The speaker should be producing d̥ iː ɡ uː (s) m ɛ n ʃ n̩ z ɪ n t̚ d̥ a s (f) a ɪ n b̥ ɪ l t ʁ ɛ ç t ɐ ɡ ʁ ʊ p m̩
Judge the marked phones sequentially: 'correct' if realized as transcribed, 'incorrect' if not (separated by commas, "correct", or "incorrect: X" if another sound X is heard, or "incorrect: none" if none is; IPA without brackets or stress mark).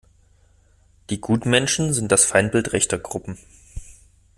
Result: incorrect: t, correct